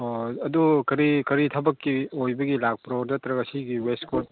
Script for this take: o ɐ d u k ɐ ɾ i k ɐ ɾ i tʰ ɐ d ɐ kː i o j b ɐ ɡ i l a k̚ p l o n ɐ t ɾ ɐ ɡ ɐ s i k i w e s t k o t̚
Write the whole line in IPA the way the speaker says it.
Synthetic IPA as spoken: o ɐ d u k ɐ ɾ i k ɐ ɾ i tʰ ɐ b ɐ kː i o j b ɐ ɡ i l a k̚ p ɾ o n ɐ t ɾ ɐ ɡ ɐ s i ɡ i w e s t k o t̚